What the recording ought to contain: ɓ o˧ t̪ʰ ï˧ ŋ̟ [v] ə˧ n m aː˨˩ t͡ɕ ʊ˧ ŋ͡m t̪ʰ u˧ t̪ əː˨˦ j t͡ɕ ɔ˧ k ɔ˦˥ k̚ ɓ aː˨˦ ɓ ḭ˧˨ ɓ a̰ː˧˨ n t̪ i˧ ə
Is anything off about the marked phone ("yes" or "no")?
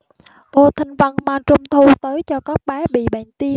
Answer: no